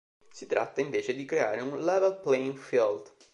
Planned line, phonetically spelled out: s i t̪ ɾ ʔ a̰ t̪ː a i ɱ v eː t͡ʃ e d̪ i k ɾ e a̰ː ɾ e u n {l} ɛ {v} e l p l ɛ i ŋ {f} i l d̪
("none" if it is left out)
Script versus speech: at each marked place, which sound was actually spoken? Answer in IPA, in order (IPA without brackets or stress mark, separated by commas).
l, v, f